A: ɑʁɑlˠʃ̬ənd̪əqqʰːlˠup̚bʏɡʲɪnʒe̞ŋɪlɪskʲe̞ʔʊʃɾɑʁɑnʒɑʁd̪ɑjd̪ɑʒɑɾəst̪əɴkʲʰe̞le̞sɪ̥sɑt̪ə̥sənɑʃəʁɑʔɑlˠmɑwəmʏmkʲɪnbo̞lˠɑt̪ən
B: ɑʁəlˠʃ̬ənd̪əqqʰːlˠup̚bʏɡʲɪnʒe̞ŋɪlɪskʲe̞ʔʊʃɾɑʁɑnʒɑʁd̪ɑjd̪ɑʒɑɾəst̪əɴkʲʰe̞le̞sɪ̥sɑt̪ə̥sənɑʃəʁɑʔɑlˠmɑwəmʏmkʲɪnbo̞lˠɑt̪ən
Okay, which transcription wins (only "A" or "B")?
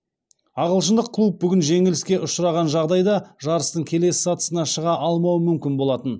B